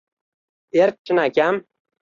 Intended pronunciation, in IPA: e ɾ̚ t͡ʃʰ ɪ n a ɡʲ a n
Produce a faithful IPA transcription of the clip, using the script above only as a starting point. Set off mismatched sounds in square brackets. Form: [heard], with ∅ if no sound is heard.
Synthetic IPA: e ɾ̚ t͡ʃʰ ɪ n a [kʲ] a [m]